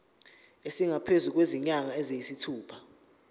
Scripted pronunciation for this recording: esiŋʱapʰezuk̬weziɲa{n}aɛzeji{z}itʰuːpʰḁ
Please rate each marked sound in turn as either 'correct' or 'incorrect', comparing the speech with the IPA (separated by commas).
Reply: incorrect, incorrect